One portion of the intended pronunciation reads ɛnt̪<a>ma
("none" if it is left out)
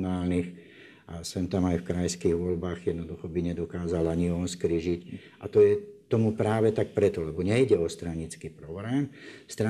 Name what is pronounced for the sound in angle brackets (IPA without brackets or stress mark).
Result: a